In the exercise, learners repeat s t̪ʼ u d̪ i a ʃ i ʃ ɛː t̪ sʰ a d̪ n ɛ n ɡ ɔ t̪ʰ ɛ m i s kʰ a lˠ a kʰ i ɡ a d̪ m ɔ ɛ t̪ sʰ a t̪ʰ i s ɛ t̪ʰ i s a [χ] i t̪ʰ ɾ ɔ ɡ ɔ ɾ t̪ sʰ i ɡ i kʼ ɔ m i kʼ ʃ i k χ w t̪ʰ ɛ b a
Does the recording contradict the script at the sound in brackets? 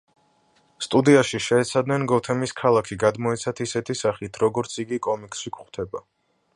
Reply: no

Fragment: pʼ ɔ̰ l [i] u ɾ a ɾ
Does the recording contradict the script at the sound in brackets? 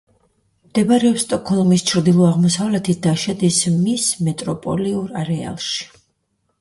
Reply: no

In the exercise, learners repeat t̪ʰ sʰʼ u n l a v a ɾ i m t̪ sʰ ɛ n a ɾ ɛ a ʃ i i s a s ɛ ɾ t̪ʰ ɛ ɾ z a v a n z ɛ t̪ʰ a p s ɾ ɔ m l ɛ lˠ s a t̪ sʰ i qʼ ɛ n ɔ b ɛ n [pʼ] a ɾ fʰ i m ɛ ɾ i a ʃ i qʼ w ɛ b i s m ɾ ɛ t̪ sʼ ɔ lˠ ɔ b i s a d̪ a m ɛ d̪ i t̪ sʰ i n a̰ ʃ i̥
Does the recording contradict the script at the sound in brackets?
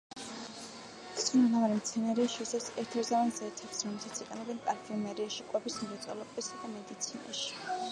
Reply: no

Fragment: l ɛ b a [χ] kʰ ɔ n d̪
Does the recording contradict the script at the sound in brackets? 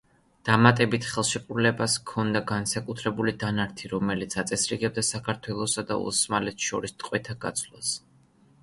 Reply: yes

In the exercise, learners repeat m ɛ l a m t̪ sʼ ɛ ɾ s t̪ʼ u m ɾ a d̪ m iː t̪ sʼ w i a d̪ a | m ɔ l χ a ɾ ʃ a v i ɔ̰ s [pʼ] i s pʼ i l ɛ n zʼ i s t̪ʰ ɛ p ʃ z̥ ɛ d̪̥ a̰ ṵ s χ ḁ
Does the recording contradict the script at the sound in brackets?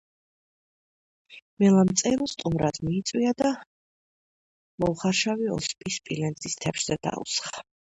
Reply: no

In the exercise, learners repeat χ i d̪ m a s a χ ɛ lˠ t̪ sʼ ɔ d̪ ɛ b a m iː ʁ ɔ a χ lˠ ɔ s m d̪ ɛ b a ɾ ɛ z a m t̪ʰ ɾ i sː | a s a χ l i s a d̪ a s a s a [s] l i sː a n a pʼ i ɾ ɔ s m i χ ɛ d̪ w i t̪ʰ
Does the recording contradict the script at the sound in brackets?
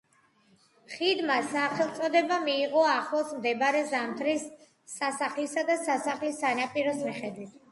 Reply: yes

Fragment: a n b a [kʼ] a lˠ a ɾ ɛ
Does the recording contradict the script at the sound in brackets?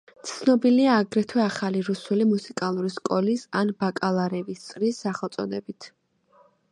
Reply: no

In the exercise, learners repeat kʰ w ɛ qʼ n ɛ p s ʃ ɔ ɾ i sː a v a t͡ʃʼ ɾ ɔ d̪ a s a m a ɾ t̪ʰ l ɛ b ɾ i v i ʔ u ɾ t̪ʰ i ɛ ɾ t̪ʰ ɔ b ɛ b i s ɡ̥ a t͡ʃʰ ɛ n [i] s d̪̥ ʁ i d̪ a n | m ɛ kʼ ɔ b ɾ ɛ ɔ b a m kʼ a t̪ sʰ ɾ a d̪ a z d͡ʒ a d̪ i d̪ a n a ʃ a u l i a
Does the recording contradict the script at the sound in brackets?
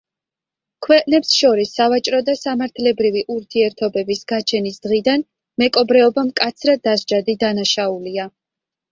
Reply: no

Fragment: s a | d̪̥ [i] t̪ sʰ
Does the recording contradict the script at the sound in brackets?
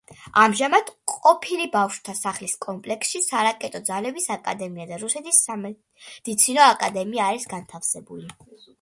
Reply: no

